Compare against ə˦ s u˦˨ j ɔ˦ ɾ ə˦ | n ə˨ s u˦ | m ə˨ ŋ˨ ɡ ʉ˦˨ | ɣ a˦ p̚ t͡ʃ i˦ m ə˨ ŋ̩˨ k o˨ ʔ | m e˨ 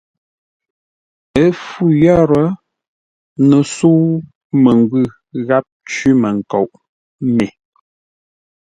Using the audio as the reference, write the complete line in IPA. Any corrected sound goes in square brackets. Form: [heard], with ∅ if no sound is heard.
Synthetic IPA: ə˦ [f] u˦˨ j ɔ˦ ɾ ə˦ | n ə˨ s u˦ | m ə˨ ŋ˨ ɡ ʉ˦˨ | ɣ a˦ p̚ t͡ʃ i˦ m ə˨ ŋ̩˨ k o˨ ʔ | m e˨